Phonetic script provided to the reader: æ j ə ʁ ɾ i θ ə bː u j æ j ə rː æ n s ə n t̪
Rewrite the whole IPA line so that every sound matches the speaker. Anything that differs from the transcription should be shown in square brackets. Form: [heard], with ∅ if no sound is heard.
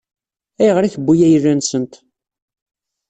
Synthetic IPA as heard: æ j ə ʁ ɾ i θ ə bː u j æ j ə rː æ n s ə n t̪